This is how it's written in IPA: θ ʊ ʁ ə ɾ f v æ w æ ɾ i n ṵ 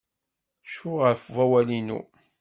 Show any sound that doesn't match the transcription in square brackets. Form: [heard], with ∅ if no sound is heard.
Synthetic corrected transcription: [ʃ] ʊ ʁ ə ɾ f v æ w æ [l] i n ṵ